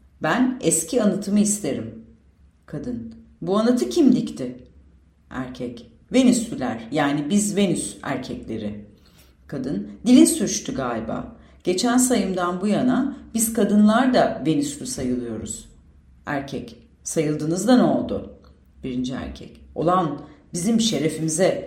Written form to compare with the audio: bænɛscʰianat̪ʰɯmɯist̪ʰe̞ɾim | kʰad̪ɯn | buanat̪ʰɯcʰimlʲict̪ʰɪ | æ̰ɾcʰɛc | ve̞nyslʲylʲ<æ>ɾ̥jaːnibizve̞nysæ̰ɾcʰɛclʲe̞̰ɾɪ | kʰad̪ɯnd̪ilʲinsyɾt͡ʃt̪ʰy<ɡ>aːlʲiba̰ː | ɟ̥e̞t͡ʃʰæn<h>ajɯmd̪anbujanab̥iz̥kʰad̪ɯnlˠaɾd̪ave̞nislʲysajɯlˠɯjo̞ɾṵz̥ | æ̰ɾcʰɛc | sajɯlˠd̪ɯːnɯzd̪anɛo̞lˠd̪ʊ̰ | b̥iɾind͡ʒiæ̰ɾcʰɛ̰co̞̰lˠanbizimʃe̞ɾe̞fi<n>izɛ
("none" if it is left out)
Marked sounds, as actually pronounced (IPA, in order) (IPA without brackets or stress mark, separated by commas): æ, ɡ, s, m